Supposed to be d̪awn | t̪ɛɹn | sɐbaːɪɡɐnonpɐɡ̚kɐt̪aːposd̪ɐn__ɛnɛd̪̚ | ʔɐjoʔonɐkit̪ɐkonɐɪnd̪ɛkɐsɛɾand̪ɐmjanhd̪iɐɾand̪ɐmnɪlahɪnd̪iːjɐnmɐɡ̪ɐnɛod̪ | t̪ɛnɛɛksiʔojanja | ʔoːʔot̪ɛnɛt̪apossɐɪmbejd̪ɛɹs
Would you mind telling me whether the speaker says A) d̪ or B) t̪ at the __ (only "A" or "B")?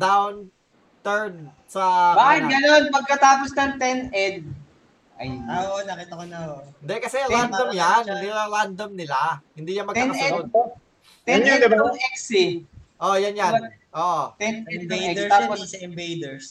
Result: B